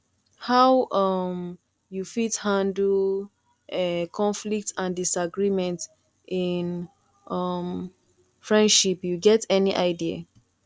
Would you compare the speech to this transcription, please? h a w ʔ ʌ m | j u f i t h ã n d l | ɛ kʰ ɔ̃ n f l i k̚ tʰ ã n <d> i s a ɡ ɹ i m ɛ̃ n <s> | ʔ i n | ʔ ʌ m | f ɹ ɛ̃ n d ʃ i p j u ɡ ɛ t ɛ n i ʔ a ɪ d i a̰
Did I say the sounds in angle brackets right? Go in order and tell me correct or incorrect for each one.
correct, incorrect

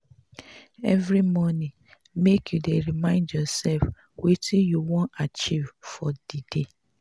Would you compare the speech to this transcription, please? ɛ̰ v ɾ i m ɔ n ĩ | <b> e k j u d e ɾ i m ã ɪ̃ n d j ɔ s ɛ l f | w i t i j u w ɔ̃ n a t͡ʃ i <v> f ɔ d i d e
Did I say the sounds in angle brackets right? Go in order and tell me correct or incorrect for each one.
incorrect, correct

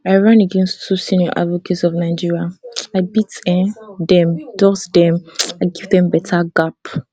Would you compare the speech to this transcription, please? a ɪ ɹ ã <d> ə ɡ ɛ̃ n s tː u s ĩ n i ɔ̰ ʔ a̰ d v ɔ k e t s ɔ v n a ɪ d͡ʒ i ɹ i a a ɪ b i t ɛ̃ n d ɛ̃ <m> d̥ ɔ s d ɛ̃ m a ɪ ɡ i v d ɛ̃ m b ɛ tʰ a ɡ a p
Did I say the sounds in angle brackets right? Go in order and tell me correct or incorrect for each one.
incorrect, correct

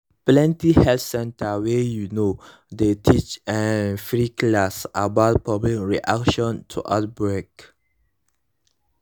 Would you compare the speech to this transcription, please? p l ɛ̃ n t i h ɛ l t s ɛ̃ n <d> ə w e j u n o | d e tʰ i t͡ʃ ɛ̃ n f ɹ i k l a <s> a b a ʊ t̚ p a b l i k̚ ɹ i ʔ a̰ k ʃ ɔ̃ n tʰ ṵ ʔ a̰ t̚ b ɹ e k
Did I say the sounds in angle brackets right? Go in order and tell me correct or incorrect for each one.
incorrect, correct

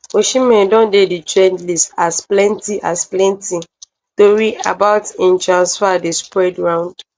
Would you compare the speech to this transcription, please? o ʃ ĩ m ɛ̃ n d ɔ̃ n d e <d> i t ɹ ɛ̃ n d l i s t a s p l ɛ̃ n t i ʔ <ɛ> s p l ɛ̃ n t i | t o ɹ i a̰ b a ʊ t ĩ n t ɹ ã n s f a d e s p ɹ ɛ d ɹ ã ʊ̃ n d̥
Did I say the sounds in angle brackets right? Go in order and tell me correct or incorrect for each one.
correct, incorrect

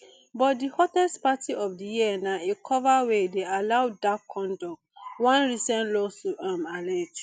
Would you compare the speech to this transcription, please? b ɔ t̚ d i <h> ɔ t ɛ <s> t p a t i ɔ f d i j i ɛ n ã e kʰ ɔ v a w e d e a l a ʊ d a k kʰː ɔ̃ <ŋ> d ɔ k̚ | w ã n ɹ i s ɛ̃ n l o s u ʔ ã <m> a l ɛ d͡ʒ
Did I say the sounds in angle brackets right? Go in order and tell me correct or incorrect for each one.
correct, correct, incorrect, correct

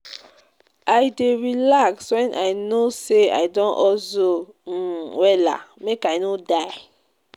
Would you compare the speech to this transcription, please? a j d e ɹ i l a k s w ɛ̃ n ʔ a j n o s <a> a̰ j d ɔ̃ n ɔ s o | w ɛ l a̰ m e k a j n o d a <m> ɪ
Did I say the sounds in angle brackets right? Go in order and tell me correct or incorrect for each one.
incorrect, incorrect

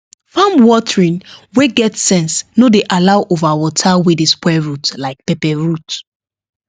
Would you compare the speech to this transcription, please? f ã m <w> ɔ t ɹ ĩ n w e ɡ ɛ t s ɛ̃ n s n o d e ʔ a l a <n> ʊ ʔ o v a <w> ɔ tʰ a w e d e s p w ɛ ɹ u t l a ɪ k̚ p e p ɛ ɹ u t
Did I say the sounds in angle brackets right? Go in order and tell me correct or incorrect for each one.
correct, incorrect, correct

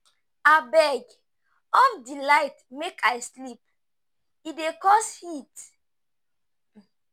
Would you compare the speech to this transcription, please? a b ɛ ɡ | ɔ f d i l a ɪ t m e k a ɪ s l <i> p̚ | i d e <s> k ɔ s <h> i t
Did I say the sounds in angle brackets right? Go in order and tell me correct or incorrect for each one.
correct, incorrect, correct

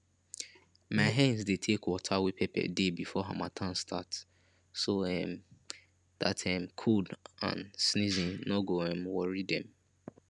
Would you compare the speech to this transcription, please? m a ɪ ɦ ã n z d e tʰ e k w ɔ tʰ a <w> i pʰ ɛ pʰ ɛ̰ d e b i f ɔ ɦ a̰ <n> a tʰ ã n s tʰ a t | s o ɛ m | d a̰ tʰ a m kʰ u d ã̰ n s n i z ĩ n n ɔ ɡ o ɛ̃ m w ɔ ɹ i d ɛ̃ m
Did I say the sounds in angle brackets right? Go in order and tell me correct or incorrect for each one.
correct, incorrect

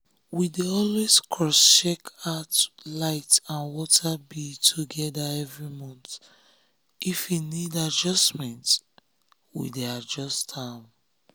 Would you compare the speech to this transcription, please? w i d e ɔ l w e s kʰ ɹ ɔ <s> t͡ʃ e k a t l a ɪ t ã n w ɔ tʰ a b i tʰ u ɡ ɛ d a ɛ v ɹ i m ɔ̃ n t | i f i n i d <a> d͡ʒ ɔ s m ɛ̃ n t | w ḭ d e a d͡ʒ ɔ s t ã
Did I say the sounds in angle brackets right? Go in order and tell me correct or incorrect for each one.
correct, correct

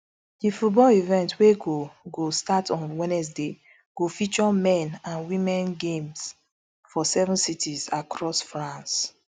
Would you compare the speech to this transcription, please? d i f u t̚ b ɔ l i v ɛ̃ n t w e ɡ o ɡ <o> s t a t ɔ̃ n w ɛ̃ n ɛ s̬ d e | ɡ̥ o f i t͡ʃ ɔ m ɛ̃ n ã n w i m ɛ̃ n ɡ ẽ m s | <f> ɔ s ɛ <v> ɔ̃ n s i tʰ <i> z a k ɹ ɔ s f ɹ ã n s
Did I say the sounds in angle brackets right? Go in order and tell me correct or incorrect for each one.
correct, correct, correct, correct

